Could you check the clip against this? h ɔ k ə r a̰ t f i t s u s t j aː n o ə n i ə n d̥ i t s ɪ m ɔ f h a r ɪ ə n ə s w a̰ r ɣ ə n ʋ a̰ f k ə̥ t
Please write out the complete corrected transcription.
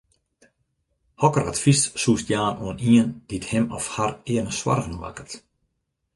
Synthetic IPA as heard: h ɔ k ə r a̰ t f i s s u s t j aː n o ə n i ə n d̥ i t h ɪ m ɔ f h a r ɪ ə n ə s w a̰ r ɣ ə n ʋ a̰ k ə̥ t